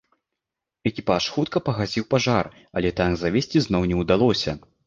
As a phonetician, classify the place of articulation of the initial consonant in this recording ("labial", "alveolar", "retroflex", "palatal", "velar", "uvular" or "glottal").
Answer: velar